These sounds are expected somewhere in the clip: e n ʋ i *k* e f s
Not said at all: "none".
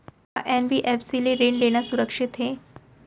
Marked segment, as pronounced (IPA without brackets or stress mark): ʔ